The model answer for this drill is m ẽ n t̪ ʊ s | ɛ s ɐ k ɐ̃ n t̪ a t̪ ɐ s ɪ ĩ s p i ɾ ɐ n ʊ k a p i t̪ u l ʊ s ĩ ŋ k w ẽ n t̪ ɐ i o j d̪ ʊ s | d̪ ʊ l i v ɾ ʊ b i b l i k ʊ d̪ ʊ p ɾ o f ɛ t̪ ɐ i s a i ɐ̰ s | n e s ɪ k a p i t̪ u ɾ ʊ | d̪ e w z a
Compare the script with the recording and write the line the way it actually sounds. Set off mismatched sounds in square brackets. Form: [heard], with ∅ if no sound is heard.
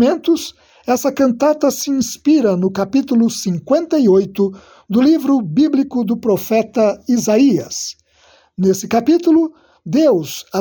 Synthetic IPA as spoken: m ẽ n t̪ ʊ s | ɛ s ɐ k ɐ̃ n t̪ a t̪ ɐ s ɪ ĩ s p i ɾ ɐ n ʊ k a p i t̪ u l ʊ s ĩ ŋ k w ẽ n t̪ ɐ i o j [t̪] ʊ [∅] | d̪ ʊ l i v ɾ ʊ b i b l i k ʊ d̪ ʊ p ɾ o f ɛ t̪ ɐ i [z] a i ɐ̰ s | n e s ɪ k a p i t̪ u [l] ʊ | d̪ e w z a